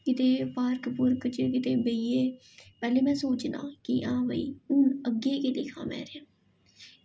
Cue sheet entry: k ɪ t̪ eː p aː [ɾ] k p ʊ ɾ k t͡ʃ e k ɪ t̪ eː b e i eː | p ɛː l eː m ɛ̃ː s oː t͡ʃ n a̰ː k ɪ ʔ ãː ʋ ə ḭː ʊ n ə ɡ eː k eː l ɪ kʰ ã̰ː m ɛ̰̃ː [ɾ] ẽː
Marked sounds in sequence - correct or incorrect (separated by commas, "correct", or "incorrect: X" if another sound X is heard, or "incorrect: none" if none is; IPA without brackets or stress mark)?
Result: correct, correct